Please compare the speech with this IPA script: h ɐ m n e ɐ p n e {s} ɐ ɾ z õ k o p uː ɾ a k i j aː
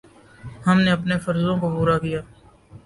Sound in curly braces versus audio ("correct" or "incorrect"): incorrect